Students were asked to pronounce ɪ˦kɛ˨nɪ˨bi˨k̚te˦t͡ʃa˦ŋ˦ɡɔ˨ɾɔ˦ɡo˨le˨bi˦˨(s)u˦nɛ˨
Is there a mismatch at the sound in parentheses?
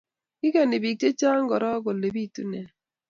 yes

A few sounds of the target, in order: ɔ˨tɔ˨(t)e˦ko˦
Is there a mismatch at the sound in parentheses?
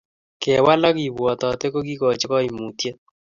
no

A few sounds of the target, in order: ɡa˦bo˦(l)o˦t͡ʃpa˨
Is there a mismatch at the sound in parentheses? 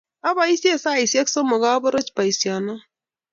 yes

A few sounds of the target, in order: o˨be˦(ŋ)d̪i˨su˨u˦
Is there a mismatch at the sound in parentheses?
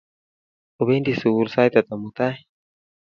yes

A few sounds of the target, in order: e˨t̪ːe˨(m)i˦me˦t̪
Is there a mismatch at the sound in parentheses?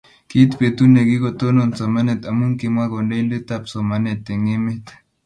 yes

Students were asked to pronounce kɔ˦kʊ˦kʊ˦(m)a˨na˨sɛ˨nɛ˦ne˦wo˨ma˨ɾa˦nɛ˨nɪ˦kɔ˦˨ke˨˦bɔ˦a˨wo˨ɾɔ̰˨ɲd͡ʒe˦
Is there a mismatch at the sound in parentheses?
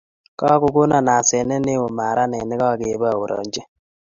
yes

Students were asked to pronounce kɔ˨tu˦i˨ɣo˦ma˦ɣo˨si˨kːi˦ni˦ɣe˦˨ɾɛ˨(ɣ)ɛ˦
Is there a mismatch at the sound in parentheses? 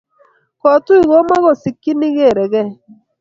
no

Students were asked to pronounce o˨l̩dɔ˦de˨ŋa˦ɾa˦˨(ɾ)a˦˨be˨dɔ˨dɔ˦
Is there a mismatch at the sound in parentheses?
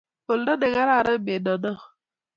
no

